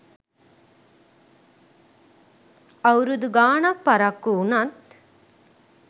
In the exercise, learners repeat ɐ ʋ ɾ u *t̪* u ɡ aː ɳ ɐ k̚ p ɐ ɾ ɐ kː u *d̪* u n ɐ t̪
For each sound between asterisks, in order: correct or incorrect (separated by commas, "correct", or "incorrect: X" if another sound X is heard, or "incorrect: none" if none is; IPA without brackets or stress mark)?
incorrect: d̪, incorrect: none